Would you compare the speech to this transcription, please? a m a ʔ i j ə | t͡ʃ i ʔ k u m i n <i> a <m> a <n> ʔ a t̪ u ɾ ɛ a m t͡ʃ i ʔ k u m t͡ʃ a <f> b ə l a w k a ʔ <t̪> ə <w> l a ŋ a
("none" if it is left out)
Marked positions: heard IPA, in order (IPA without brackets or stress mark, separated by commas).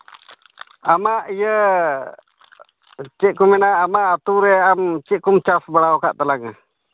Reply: a, m, none, f, t̪, none